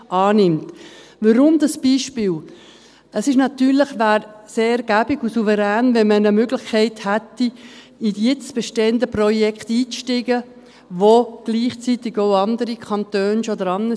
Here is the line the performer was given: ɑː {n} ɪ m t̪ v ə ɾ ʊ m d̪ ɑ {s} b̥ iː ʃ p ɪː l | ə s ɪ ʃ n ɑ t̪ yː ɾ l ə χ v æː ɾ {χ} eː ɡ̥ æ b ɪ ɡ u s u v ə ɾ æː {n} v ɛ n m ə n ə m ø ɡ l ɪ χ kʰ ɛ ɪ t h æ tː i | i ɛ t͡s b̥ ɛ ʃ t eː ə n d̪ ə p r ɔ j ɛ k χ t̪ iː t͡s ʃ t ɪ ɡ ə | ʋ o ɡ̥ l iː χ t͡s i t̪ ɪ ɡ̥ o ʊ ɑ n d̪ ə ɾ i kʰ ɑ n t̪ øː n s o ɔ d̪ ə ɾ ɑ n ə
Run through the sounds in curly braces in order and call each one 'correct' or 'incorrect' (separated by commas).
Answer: correct, correct, incorrect, correct